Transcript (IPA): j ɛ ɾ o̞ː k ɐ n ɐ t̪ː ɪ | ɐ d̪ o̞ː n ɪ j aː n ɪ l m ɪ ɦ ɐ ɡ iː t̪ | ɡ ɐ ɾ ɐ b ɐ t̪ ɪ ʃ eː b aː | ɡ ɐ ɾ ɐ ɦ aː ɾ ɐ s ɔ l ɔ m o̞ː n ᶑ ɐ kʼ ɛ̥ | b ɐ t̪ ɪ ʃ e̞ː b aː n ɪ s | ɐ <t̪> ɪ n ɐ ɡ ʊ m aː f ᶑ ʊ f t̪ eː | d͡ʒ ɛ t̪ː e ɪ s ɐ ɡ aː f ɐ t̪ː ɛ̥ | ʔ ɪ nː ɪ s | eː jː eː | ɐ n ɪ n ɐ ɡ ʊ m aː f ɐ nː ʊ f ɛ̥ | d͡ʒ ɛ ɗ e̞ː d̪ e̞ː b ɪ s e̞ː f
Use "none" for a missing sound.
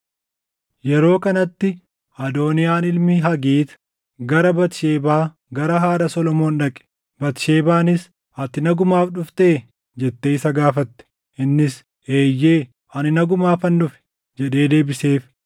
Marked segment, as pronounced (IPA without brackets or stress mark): t̪